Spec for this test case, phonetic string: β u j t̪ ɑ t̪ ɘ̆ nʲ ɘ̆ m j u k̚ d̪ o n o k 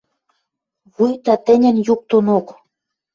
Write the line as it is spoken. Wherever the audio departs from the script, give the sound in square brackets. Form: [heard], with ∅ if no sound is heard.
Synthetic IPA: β u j t̪ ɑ t̪ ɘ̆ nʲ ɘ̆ [n] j u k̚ [t̪] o n o k